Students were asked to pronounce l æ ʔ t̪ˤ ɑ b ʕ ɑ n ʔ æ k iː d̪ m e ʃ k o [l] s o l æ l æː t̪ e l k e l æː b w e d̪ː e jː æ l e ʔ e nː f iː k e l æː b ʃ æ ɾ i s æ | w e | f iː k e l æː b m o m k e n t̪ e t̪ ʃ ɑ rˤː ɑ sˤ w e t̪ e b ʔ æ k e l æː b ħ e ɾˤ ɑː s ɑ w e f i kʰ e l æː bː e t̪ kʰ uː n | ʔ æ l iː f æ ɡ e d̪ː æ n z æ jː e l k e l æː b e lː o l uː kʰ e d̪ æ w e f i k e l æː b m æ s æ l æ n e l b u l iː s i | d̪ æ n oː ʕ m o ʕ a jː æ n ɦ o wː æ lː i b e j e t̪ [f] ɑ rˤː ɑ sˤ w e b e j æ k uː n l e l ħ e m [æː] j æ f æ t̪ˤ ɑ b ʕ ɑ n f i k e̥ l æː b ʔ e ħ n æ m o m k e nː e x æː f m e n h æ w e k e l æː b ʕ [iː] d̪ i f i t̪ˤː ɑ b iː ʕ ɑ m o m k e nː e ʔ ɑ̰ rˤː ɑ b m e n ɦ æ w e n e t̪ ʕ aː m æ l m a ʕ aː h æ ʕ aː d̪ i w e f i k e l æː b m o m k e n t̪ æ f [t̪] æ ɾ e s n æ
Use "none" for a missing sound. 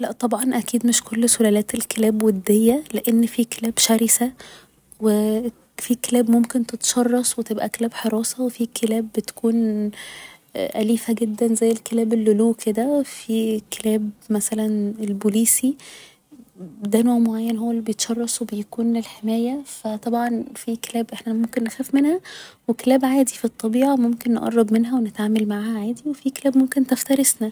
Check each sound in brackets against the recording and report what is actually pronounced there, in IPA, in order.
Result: lː, ʃ, æː, aː, t̪

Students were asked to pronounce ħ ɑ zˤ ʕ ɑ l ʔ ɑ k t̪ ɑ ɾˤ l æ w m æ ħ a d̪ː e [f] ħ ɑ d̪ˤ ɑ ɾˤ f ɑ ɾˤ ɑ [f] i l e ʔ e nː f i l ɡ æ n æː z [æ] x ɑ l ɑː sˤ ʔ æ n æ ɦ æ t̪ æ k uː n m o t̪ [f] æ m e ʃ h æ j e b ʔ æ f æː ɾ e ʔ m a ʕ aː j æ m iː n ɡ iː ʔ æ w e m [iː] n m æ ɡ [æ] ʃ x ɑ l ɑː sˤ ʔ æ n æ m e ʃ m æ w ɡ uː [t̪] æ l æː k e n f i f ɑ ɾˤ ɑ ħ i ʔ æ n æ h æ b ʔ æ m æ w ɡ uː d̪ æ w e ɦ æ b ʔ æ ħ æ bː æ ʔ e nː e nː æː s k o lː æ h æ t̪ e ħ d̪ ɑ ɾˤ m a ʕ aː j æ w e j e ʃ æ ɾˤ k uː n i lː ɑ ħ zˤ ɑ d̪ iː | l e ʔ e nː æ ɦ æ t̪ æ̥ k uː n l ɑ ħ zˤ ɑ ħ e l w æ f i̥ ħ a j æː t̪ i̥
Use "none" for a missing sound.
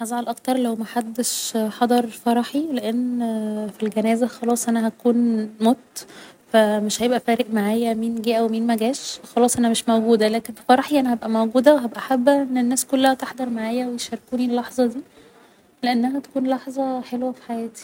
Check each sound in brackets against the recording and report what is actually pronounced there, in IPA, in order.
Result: ʃ, ħ, æ, f, iː, æː, d̪

